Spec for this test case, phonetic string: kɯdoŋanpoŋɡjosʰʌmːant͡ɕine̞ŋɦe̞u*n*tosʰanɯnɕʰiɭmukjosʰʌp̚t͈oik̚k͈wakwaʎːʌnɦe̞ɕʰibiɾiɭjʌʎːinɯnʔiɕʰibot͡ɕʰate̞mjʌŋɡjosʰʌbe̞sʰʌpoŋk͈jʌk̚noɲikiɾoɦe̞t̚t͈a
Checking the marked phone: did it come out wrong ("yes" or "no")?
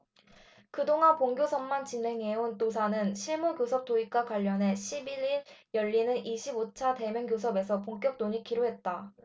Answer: no